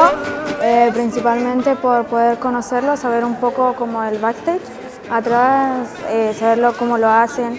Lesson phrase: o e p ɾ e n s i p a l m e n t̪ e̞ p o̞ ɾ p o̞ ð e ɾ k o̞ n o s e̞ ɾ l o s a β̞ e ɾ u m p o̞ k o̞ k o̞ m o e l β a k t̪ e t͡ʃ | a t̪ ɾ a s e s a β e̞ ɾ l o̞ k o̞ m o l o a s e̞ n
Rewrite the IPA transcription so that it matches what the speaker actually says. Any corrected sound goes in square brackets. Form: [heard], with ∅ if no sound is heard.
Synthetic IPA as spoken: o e p ɾ [i] n s i p a l m [ẽ] n t̪ e̞ p o̞ ɾ p o̞ ð e ɾ k o̞ n o s e̞ ɾ l o s a β̞ e ɾ u m p o̞ k o̞ k o̞ m o e l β a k t̪ e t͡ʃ | a t̪ ɾ a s e s a β e̞ ɾ l o̞ k o̞ m o l o a s e̞ n